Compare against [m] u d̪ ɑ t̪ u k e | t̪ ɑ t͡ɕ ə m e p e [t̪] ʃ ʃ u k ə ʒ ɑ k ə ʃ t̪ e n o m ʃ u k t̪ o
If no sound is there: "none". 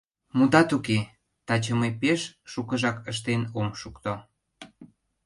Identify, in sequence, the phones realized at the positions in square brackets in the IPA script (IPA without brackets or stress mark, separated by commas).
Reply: m, none